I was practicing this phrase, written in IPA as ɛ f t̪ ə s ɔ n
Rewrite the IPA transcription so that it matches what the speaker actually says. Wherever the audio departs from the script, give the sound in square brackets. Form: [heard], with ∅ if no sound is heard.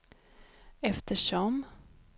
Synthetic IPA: ɛ f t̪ ə [ʂ] ɔ [m]